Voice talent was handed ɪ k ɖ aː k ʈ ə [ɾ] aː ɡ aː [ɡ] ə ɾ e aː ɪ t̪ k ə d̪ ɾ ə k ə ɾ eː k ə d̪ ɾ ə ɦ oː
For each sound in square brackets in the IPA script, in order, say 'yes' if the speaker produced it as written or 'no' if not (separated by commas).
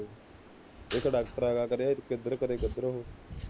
yes, no